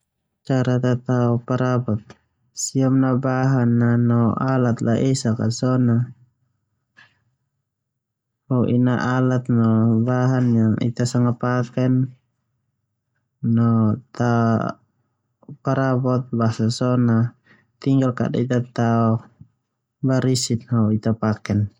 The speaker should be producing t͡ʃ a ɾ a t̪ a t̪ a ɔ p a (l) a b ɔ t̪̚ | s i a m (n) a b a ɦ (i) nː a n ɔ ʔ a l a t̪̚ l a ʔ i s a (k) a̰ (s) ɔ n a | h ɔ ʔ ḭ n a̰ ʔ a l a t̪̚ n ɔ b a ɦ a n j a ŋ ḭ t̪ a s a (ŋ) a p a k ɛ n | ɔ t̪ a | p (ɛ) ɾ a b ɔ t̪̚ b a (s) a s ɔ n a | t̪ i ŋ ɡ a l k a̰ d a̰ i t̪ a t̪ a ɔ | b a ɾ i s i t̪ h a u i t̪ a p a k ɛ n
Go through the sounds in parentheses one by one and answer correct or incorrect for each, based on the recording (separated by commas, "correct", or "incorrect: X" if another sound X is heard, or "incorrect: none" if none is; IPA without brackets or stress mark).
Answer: incorrect: ɾ, correct, incorrect: a, correct, correct, correct, incorrect: a, correct